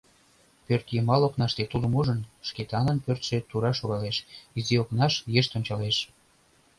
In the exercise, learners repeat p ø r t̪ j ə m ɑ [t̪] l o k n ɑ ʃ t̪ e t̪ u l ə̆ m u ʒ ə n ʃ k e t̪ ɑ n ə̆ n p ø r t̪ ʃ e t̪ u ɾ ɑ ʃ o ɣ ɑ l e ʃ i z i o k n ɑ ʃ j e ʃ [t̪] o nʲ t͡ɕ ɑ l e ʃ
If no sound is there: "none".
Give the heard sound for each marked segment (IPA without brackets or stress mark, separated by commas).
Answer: none, t̪